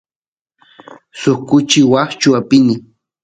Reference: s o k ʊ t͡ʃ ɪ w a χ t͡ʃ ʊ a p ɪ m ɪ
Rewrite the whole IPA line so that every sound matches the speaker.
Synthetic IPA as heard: s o k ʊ t͡ʃ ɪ w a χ t͡ʃ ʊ a p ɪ n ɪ